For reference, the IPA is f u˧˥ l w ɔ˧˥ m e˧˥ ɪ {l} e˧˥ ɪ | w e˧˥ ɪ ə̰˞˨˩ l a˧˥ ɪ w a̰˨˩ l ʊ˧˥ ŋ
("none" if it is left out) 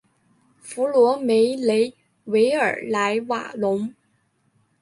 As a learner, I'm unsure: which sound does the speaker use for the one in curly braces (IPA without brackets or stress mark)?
l